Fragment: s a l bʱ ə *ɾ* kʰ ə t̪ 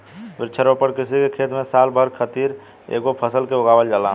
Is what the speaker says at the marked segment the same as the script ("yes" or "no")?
yes